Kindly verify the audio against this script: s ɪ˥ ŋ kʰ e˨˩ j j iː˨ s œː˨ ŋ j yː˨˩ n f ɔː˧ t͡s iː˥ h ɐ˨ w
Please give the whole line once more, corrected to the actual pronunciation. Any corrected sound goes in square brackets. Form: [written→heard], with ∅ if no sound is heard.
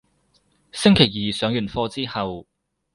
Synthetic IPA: s ɪ˥ ŋ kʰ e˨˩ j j iː˨ s [œː˨→œː˨˥] ŋ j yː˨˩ n f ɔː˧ t͡s iː˥ h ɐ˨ w